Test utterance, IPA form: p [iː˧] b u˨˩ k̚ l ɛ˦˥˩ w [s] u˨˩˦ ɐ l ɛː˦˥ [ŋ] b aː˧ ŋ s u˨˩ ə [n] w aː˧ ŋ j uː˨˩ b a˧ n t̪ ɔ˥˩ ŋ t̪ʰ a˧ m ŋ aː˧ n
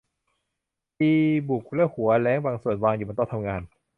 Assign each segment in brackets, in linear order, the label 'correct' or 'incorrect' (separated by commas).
correct, incorrect, correct, correct